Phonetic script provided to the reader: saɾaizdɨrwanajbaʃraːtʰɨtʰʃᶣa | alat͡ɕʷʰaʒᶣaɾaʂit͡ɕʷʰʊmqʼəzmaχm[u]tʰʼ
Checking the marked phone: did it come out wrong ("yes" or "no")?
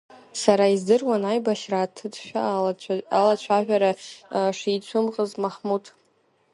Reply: no